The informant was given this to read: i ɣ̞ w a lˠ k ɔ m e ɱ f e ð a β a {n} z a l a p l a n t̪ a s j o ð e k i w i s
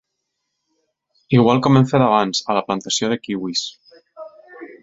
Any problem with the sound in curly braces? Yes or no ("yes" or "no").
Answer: no